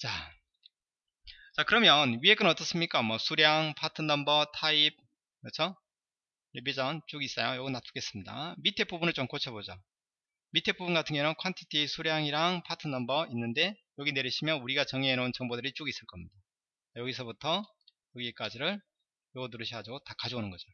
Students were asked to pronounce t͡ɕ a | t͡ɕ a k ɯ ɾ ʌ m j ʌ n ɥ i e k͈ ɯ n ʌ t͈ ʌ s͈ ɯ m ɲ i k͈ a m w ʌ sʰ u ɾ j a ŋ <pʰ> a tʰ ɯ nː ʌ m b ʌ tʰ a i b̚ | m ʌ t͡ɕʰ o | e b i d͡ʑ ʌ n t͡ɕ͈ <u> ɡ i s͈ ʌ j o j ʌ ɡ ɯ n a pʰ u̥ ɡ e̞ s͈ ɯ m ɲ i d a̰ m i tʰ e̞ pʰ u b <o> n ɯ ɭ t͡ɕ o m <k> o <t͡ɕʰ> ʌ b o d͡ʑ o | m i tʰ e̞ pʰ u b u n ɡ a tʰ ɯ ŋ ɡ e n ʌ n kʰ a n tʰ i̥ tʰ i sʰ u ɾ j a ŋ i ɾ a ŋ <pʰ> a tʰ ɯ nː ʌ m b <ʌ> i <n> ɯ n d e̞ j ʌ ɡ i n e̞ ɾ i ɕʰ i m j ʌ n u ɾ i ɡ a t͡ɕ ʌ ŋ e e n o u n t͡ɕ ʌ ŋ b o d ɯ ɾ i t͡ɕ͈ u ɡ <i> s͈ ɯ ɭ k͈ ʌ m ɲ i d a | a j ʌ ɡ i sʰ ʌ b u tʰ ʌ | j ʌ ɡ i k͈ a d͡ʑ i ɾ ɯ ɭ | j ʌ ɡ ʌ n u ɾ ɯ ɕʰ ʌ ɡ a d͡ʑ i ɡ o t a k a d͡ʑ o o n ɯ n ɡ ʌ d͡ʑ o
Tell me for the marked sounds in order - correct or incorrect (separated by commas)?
correct, correct, incorrect, correct, correct, correct, correct, incorrect, correct